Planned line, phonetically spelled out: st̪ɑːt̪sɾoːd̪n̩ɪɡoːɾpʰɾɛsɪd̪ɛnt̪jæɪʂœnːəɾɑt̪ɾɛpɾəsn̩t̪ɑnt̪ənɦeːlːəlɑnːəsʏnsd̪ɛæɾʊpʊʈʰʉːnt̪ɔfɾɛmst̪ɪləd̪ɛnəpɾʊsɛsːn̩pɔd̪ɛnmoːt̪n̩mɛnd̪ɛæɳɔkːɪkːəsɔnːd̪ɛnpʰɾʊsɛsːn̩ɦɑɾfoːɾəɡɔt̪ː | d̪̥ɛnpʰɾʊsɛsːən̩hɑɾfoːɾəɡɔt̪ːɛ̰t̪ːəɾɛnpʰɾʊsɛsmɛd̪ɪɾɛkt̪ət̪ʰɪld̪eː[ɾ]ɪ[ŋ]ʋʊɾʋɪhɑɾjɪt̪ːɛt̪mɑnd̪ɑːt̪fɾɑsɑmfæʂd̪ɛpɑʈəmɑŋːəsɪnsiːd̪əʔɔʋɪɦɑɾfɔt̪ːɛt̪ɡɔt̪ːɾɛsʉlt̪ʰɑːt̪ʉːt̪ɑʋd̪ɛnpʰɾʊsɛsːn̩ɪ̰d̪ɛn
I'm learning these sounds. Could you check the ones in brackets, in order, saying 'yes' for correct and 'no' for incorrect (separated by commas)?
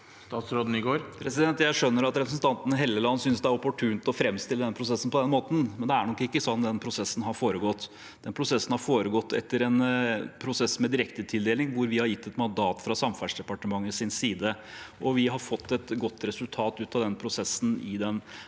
no, yes